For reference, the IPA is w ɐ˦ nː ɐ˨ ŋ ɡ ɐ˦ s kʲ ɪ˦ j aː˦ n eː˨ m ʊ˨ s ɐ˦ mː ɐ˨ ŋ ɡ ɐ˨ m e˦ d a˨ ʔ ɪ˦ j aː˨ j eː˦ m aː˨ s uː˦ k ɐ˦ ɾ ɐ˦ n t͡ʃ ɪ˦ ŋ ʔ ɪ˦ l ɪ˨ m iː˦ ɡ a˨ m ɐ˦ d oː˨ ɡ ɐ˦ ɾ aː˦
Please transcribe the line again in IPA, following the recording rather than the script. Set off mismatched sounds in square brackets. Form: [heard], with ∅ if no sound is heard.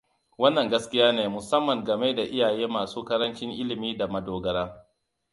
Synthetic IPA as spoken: w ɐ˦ nː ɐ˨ ŋ ɡ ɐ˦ s kʲ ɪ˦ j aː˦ n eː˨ m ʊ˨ s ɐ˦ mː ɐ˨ ŋ ɡ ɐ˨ m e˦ d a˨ ʔ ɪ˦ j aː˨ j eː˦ m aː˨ s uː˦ k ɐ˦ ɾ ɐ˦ n t͡ʃ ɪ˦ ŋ ʔ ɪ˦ l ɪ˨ m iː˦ [d] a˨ m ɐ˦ d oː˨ ɡ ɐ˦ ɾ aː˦

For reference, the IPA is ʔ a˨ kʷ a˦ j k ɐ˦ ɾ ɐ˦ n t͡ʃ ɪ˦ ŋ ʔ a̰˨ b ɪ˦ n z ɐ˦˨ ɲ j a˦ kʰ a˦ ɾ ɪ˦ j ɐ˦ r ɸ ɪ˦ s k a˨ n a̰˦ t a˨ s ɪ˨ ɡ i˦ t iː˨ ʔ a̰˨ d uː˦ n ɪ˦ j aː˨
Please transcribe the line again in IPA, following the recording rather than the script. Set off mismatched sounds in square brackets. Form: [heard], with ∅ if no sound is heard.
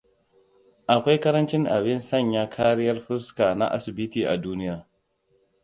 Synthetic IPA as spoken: ʔ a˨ kʷ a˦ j k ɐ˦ ɾ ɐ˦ n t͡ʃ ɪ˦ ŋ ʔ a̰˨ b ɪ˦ n [s] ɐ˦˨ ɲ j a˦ kʰ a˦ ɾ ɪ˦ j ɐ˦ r ɸ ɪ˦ s k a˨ n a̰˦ [ʔ] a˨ s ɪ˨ [b] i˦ t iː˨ ʔ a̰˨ d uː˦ n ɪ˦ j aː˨

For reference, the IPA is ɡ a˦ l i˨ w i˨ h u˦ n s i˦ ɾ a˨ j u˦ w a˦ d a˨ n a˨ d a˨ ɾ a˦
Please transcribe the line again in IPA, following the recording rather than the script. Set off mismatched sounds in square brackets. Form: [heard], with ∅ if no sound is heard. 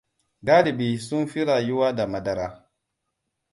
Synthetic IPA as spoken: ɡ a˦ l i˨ [b] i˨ [s] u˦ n [f] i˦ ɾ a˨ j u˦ w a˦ d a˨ [m] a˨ d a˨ ɾ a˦

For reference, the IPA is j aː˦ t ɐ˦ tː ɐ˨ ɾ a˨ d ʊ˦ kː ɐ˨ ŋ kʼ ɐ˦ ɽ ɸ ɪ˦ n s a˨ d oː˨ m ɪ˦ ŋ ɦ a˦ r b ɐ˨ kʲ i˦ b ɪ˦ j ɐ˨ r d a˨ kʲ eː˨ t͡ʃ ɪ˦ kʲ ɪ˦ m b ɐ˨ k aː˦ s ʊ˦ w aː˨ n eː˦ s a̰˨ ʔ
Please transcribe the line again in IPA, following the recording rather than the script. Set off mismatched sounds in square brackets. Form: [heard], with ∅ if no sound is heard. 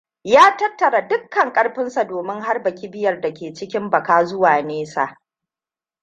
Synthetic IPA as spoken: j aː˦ t ɐ˦ tː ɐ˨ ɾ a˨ d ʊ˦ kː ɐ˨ ŋ kʼ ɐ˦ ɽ ɸ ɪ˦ n s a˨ d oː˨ m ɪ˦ ŋ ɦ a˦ r b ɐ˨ kʲ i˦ b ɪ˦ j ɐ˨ r d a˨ kʲ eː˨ t͡ʃ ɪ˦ kʲ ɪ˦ m b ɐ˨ k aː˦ [z] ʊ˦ w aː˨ n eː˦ s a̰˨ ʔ

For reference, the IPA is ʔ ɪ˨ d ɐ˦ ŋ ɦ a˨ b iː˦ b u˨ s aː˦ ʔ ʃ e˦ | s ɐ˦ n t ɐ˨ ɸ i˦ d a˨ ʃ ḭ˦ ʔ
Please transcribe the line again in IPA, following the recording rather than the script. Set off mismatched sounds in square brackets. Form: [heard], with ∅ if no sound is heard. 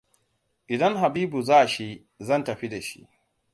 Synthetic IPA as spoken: ʔ ɪ˨ d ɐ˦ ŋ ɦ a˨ b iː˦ b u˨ [z] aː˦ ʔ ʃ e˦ | [z] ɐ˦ n t ɐ˨ ɸ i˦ d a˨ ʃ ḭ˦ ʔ

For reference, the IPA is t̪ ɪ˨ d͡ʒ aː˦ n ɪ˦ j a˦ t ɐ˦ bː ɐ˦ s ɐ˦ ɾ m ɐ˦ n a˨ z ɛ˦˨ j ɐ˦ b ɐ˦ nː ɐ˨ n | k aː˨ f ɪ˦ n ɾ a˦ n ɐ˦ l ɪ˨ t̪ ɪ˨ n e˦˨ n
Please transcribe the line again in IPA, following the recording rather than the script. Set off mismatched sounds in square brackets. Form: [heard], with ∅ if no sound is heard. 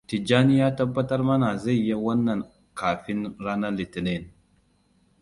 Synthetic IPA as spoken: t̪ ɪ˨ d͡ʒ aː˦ n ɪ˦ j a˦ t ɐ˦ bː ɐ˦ [t] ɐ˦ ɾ m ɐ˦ n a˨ z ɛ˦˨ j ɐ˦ [w] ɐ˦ nː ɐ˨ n | k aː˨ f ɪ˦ n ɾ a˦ n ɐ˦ l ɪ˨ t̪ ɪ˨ n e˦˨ n

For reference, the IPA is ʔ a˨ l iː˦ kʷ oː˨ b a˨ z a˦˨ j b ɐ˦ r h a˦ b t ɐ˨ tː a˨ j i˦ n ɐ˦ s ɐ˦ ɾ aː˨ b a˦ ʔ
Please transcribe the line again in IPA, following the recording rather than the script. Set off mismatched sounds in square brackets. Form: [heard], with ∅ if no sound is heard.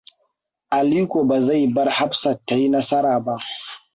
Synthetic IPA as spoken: ʔ a˨ l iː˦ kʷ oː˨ b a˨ z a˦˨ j b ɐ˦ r h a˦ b [s] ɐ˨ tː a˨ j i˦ n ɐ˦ s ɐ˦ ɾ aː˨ b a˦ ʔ

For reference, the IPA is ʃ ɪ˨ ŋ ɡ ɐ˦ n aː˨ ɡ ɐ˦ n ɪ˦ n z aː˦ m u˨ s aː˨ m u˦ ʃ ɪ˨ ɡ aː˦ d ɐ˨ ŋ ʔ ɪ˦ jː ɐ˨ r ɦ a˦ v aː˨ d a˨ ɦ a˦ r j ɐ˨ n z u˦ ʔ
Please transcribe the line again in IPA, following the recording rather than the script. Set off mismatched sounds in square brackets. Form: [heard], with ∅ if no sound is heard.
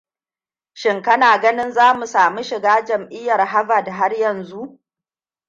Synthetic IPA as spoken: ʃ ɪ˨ ŋ [k] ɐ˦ n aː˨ ɡ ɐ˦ n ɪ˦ n z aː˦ m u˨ s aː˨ m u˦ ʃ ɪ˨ ɡ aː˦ [d͡ʒ] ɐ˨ [m] ʔ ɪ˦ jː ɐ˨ r ɦ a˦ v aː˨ d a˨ ɦ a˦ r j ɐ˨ n z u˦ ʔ

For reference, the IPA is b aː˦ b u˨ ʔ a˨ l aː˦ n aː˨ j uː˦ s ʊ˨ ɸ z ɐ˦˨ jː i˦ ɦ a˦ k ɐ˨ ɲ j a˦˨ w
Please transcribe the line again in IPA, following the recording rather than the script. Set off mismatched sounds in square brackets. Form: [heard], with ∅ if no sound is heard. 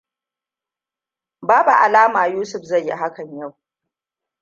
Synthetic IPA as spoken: b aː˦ b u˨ ʔ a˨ l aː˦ [m] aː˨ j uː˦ s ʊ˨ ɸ z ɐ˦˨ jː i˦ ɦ a˦ k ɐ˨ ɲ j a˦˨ w

